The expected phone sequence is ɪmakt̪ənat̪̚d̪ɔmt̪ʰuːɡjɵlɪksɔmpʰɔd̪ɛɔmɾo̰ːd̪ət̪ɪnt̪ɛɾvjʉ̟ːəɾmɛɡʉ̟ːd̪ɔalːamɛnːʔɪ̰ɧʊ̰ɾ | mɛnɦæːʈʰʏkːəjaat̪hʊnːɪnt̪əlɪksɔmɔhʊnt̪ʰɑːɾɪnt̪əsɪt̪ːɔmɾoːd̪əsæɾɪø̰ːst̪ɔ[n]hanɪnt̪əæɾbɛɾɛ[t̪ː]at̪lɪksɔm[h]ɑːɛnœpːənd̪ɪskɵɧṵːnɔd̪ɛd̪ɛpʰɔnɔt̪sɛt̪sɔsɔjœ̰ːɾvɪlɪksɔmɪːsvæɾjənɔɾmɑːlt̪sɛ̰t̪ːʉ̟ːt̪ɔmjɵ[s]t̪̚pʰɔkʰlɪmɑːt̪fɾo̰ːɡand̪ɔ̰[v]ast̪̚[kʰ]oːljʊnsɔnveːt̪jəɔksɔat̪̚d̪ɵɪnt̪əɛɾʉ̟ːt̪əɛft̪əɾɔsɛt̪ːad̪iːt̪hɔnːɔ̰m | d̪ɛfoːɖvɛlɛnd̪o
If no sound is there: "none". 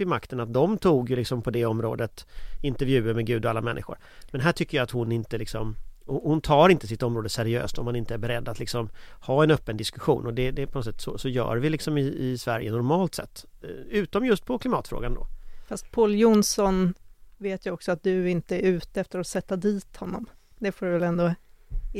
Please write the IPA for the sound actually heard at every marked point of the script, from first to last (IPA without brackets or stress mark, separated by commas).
m, d̪ː, h, s, f, pʰ